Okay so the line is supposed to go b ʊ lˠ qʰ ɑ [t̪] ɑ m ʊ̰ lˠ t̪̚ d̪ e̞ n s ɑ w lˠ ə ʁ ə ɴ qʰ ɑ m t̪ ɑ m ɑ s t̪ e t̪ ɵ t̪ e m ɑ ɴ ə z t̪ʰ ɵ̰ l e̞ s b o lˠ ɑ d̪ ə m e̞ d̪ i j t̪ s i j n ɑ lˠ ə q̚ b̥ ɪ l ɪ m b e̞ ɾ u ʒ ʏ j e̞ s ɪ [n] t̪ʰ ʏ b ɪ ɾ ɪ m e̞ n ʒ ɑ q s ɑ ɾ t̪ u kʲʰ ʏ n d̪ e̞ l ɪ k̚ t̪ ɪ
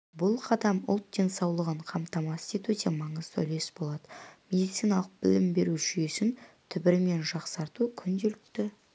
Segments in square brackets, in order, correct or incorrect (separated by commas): incorrect, correct